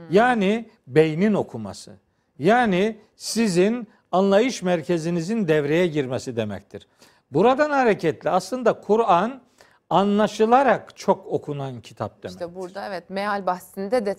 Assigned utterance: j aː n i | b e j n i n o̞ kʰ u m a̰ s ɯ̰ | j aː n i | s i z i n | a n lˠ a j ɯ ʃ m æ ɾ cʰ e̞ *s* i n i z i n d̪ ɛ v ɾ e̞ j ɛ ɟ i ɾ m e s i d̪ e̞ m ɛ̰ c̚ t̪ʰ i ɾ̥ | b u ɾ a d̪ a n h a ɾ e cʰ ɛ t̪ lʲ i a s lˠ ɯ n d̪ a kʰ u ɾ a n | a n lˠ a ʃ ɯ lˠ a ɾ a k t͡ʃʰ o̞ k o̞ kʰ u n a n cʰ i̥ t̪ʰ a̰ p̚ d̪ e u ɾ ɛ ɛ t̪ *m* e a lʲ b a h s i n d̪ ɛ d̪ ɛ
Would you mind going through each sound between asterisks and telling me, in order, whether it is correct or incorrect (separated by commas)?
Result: incorrect, correct